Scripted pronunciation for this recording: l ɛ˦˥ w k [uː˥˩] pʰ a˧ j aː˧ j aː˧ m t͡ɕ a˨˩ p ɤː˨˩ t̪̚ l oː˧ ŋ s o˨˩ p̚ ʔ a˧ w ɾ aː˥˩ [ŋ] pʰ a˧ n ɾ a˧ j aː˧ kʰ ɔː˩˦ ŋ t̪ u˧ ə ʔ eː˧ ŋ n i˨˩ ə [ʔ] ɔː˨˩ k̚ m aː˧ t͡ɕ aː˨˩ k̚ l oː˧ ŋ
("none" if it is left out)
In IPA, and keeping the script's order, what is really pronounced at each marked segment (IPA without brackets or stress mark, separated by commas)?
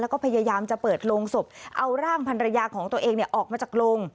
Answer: ɔː˥˩, ŋ, ʔ